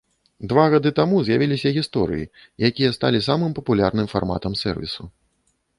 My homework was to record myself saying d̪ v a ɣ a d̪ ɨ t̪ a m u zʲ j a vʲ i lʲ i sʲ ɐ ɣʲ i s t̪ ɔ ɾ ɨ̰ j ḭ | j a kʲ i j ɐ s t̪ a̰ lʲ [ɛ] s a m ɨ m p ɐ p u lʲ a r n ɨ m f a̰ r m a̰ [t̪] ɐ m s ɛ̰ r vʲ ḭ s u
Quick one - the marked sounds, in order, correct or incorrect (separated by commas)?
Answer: incorrect, correct